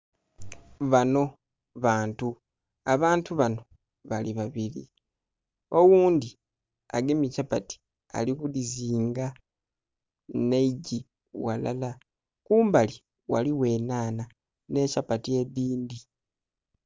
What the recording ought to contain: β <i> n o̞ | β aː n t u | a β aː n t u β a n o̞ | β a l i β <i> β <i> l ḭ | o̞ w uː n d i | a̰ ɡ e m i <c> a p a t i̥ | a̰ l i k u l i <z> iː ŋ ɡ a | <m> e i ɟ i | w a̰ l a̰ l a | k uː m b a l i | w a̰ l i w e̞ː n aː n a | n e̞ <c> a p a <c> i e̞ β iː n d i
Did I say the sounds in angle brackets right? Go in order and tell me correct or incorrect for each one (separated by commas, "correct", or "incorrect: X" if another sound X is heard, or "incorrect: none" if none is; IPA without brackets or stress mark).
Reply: incorrect: a, incorrect: a, correct, correct, correct, incorrect: n, correct, incorrect: t